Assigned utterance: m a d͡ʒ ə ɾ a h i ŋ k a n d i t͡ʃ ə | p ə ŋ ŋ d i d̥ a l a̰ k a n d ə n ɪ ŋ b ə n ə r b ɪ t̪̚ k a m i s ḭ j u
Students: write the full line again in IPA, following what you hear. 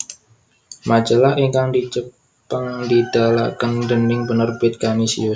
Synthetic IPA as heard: m a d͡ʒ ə l a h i ŋ k a ŋ d i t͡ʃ ə | p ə ŋ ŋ d i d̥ a l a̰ k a n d ə n ɪ ŋ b ə n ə r b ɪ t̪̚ k a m i s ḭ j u